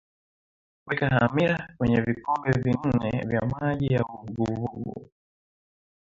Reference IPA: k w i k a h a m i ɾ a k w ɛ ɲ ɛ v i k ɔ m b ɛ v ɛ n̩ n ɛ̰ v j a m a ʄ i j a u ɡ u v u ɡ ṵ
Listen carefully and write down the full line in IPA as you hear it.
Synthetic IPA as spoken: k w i k a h a m i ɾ a k w ɛ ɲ ɛ v i k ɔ m b ɛ v i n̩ n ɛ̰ v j a m a ʄ i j a u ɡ u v u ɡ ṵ